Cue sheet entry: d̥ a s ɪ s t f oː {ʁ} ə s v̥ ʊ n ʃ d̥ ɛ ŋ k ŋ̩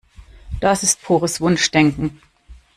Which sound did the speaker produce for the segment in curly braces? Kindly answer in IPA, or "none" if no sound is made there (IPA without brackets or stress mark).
ʁ